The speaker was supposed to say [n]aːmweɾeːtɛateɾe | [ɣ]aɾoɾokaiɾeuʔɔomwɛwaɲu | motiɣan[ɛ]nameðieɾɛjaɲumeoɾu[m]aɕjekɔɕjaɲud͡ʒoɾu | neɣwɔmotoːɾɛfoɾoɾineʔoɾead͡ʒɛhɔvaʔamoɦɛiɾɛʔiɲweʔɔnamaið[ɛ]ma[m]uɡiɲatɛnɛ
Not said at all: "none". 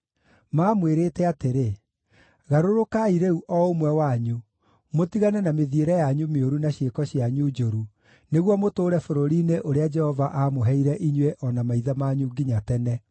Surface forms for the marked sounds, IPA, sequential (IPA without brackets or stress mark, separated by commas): m, ɣ, ɛ, n, a, ɲ